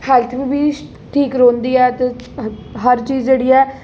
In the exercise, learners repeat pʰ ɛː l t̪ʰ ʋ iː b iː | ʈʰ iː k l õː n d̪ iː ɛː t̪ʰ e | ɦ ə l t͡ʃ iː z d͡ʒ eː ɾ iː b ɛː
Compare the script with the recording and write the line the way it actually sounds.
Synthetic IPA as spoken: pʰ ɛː l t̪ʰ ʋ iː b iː | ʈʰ iː k ɾ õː n d̪ iː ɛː t̪ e | ɦ ə ɾ t͡ʃ iː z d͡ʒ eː ɽ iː ɛː